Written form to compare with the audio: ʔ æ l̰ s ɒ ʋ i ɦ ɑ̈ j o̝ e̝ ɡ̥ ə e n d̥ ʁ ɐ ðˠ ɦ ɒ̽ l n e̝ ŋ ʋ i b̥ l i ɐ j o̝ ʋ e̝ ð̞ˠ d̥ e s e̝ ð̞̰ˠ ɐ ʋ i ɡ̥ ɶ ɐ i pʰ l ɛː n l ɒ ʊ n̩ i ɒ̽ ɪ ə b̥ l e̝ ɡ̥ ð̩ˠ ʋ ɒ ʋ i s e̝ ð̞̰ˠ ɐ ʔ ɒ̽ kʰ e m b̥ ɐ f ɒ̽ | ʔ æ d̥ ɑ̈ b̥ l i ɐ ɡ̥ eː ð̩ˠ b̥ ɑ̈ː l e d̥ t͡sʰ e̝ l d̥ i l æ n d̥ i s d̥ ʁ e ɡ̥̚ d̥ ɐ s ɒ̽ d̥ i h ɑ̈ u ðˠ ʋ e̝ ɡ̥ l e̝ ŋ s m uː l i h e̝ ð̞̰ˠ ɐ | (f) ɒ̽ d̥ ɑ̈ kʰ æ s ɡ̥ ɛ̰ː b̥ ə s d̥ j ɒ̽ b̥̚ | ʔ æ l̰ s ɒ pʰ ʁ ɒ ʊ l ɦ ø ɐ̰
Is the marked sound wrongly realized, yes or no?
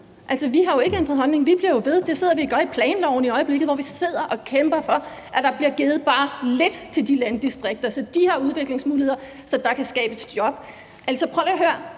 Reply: yes